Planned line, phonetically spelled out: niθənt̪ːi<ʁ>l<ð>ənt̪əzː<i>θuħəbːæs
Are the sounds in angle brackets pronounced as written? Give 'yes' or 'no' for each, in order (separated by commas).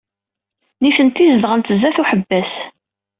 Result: no, no, no